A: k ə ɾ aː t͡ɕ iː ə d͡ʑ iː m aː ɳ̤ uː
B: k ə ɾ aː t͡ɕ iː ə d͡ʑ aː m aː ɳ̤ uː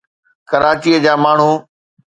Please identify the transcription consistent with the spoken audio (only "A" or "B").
B